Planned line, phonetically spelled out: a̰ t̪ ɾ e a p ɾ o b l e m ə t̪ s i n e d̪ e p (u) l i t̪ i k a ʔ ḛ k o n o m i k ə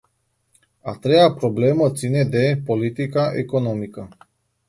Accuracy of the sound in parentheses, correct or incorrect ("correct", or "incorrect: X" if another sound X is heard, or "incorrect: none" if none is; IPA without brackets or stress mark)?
incorrect: o